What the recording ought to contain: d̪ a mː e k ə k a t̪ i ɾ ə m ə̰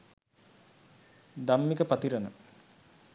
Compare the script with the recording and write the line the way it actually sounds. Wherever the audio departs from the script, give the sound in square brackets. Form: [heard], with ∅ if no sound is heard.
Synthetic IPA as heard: d̪ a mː [i] k ə [p] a t̪ i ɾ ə [n] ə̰